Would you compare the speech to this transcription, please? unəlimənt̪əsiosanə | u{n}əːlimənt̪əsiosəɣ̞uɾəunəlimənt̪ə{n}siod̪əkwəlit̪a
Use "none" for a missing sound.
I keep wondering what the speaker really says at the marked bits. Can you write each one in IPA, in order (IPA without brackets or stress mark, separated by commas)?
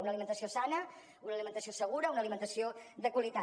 n, none